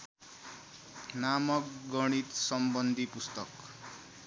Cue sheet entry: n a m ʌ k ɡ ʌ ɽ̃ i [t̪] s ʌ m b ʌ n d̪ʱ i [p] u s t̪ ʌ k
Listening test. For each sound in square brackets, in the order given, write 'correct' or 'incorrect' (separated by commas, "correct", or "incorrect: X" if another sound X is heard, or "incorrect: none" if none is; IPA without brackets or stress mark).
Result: correct, correct